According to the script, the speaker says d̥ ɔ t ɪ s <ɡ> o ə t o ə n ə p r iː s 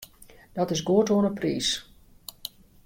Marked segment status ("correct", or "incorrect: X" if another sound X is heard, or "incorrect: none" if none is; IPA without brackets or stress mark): correct